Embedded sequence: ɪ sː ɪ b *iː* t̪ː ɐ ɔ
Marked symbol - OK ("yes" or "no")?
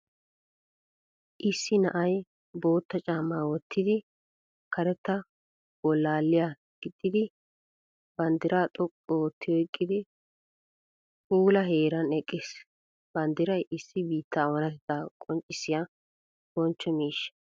yes